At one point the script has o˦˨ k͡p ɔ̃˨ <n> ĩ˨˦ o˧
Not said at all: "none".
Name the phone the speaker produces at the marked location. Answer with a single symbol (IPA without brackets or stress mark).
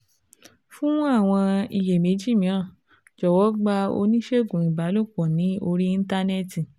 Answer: n